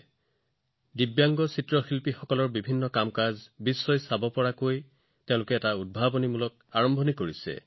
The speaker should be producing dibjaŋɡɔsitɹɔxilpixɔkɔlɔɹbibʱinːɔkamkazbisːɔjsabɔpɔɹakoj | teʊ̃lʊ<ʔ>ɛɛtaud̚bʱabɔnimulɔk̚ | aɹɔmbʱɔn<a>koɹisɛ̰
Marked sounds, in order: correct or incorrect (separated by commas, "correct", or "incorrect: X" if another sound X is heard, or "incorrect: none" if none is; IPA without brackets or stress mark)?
incorrect: k, incorrect: i